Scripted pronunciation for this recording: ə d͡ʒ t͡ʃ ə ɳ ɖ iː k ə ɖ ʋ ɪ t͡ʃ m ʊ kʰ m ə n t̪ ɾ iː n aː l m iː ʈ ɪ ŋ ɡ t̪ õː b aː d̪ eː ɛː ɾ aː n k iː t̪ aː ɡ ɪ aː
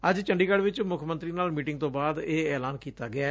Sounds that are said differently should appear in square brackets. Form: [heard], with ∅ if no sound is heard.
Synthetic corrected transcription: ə d͡ʒ t͡ʃ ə ɳ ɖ iː k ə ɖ ʋ ɪ t͡ʃ m ʊ kʰ m ə n t̪ ɾ iː n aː l m iː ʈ ɪ ŋ ɡ t̪ õː b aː d̪ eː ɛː [l] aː n k iː t̪ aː ɡ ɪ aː